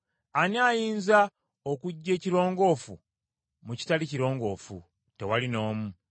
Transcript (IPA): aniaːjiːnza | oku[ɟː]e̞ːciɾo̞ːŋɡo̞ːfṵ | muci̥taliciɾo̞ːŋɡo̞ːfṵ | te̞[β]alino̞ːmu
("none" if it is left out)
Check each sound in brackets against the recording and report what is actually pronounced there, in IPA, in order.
ɟː, w

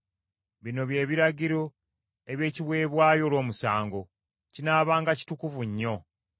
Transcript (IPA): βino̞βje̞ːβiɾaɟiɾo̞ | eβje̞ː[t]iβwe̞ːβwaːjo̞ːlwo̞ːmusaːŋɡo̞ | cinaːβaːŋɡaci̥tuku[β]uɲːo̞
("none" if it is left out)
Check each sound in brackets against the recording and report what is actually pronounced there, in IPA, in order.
c, v

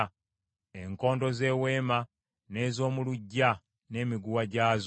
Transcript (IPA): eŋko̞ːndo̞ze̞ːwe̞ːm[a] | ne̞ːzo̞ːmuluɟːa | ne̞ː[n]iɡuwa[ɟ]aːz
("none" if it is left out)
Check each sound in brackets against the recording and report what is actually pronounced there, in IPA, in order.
a, m, ɟ

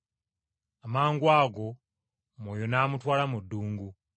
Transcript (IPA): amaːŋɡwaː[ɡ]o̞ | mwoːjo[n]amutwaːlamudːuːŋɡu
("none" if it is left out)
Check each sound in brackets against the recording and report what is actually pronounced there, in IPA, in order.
ɡ, n

